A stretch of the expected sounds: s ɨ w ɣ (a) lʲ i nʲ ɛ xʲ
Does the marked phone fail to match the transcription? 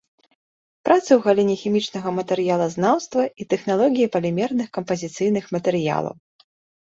no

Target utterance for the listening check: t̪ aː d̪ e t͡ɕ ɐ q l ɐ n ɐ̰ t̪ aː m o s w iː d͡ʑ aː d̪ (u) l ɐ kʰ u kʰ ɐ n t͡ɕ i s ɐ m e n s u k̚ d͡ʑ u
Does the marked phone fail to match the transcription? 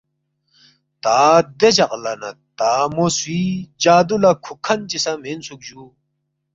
no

